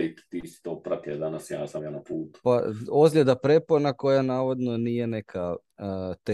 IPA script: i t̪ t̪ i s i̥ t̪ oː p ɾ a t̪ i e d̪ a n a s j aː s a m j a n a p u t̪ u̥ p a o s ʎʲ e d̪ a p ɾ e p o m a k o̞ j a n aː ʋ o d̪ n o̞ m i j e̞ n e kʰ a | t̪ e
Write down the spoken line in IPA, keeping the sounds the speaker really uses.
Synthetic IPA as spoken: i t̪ t̪ i s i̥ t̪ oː p ɾ a t̪ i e d̪ a n a s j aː s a m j a n a p uː t̪ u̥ p a o z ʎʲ e d̪ a p ɾ e p o n a k o̞ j a n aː ʋ o d̪ n o̞ n i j e̞ n e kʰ a | t̪ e